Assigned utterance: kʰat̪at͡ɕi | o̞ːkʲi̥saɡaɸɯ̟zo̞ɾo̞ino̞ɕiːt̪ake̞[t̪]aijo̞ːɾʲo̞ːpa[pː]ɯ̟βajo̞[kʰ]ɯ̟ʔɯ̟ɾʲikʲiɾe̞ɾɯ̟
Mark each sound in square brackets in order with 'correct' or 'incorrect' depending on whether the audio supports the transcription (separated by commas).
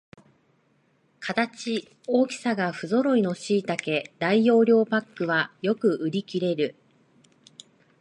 incorrect, incorrect, incorrect